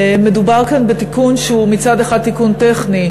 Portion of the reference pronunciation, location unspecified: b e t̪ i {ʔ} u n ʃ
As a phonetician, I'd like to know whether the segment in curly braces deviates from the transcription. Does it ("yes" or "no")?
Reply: yes